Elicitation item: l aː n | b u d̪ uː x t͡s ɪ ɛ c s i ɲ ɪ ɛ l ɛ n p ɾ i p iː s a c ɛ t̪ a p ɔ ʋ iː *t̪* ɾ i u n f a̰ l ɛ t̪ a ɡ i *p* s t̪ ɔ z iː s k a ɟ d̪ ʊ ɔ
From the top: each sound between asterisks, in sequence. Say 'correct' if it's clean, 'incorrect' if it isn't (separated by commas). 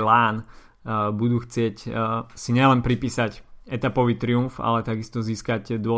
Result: correct, incorrect